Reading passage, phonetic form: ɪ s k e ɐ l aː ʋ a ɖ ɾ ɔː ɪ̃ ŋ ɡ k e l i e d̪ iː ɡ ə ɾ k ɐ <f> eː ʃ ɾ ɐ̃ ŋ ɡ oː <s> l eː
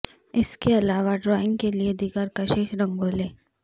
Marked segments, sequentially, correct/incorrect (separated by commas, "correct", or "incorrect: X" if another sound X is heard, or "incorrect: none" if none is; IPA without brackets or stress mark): incorrect: ʃ, incorrect: none